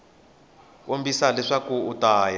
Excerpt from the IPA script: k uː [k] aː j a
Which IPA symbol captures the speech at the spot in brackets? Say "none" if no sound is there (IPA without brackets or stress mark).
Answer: t